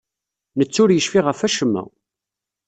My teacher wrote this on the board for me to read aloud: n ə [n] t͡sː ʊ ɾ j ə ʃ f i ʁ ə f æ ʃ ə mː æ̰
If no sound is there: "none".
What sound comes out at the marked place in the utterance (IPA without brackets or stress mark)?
none